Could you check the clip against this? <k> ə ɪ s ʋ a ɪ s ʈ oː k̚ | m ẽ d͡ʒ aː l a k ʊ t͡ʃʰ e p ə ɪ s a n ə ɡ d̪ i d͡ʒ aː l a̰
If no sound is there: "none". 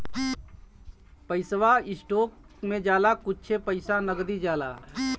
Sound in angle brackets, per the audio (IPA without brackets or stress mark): p